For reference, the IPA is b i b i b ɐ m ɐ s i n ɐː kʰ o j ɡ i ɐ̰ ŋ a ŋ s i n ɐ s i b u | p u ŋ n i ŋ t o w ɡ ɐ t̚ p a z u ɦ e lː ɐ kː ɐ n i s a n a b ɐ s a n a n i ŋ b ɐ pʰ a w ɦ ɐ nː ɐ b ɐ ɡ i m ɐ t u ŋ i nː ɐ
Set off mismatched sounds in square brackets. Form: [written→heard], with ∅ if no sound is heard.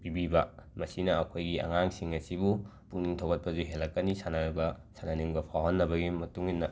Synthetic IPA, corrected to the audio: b i b i b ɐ m ɐ s i n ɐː kʰ o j ɡ i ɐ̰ ŋ a ŋ s i [n→ŋ] ɐ s i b u | p u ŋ n i ŋ [t→tʰ] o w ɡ ɐ t̚ p [a→ɐ] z u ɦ e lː ɐ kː ɐ n i s a n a b ɐ s a n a n i ŋ b ɐ pʰ a w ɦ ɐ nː ɐ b ɐ ɡ i m ɐ t u ŋ i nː ɐ